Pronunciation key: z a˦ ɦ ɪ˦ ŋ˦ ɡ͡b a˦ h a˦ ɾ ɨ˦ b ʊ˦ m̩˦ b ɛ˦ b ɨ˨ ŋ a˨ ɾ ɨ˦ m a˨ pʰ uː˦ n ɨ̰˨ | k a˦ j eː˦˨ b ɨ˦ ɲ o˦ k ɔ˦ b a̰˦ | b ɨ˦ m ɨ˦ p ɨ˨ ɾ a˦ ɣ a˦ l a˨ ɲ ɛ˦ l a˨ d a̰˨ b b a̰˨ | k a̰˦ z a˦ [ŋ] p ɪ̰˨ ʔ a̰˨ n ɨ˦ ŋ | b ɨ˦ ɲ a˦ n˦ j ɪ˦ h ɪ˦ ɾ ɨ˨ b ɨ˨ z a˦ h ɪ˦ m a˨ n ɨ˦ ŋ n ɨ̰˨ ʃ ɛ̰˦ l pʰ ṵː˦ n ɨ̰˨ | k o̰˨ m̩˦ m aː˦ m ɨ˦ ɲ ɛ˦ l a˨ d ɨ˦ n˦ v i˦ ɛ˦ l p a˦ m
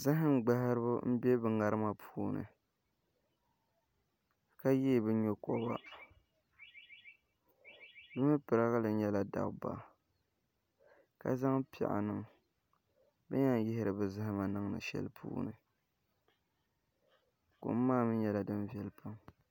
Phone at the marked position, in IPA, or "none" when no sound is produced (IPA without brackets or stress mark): ŋ